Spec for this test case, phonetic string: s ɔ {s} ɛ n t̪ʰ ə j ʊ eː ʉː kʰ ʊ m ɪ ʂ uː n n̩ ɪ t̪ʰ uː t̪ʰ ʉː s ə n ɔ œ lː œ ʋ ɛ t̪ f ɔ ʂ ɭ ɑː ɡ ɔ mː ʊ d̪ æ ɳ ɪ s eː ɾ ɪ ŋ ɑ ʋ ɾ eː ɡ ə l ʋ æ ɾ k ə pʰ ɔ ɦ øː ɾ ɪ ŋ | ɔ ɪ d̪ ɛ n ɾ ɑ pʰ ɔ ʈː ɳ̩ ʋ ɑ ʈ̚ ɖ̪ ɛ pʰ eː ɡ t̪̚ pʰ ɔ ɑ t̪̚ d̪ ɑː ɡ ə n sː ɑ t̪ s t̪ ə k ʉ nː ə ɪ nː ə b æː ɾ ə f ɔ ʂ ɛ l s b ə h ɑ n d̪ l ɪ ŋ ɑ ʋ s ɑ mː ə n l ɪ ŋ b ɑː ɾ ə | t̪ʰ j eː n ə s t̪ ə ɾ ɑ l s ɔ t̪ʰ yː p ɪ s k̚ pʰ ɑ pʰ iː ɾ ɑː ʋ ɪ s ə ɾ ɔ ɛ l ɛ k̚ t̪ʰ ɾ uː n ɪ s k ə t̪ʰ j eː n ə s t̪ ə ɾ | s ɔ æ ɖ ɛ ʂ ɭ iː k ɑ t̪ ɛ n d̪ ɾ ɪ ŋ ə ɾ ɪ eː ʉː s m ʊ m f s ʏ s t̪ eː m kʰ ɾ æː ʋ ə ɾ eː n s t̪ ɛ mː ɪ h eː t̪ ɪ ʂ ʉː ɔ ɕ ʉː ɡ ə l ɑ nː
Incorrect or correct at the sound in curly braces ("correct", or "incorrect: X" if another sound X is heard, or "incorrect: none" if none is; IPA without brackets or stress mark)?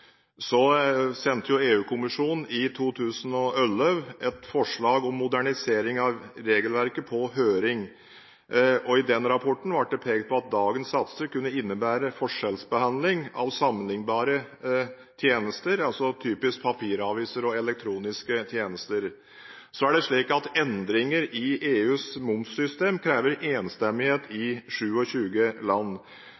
correct